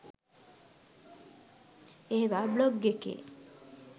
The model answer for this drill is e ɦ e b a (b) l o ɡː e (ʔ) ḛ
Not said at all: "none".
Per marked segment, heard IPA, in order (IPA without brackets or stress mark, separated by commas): b, k